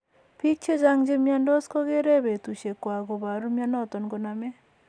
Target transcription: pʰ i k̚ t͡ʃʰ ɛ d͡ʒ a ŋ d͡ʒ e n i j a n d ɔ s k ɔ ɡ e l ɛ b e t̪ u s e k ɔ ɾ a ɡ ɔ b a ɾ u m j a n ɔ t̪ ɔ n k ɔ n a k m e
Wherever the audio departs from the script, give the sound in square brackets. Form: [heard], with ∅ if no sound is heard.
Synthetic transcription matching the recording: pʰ i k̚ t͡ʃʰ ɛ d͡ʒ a ŋ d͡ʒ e [m] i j a n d ɔ s k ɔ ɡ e [ɾ] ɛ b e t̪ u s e k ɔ [∅] a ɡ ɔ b a ɾ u m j a n ɔ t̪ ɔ n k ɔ n a [∅] m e